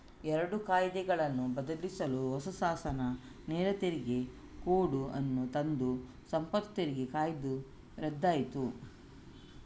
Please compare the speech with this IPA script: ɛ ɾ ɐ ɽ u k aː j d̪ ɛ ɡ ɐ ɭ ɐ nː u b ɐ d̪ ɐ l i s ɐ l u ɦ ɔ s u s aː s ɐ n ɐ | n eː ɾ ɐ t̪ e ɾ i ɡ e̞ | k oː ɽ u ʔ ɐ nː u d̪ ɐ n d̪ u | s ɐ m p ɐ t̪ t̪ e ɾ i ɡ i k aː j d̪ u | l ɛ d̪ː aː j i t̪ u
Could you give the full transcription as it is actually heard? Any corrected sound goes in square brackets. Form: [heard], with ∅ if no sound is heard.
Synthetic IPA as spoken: ɛ ɾ ɐ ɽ u k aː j d̪ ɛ ɡ ɐ ɭ ɐ nː u b ɐ d̪ ɐ l i s ɐ l u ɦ ɔ s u s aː s ɐ n ɐ | n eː ɾ ɐ t̪ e ɾ i ɡ e̞ | k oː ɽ u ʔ ɐ nː u [t̪] ɐ n d̪ u | s ɐ m p ɐ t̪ t̪ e ɾ i ɡ [e] k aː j d̪ u | [ɾ] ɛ d̪ː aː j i t̪ u